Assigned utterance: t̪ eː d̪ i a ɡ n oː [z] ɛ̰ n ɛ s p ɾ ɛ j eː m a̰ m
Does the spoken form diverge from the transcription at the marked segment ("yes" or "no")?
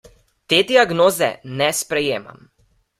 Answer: no